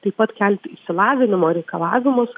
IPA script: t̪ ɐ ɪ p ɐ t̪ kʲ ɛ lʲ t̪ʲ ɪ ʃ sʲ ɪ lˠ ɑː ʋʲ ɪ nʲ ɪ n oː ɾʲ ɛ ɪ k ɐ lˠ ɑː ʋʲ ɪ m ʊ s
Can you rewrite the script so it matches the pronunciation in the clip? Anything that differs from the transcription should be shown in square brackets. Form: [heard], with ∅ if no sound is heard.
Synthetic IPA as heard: t̪ ɐ ɪ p ɐ t̪ kʲ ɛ lʲ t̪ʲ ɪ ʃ sʲ ɪ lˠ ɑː ʋʲ ɪ nʲ ɪ [m] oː ɾʲ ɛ ɪ k ɐ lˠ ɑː ʋʲ ɪ m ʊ s